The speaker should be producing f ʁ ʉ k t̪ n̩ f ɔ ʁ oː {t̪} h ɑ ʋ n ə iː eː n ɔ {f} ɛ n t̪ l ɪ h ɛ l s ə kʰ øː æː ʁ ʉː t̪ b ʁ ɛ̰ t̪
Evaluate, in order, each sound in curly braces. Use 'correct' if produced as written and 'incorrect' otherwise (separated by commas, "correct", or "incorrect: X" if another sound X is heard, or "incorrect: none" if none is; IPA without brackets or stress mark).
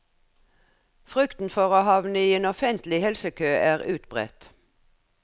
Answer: incorrect: none, correct